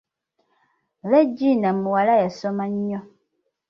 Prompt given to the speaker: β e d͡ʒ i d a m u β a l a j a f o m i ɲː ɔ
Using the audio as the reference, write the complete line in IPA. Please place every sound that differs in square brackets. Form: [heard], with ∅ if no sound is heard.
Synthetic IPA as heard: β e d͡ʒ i [n] a m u [w] a l a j a [s] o m [a] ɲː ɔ